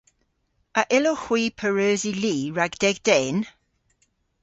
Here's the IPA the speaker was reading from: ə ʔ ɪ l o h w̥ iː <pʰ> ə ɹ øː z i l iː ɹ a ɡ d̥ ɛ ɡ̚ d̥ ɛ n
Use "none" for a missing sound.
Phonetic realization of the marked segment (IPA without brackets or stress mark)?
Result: pʰ